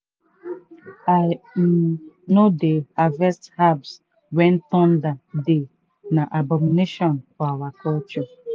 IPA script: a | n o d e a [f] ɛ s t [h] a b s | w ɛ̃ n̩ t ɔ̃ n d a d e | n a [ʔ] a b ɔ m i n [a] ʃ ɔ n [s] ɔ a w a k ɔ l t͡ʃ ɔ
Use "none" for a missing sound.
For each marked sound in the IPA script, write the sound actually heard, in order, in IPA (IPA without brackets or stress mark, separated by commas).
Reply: v, h, ʔ, e, f